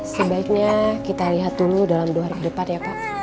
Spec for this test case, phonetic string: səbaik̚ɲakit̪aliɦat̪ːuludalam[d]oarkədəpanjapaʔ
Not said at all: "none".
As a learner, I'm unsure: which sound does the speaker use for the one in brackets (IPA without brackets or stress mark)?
d